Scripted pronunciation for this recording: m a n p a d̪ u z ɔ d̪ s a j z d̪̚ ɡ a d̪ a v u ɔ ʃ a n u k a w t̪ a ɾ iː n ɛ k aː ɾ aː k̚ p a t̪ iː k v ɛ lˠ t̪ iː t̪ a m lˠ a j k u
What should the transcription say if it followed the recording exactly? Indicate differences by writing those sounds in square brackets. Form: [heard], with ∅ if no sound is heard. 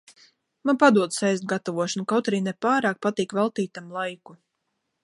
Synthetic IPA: m a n p a d̪ u [∅] ɔ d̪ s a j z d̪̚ ɡ a [t̪] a v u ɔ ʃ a n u k a w t̪ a ɾ iː n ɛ [p] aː ɾ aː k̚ p a t̪ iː k v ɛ lˠ t̪ iː t̪ a m lˠ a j k u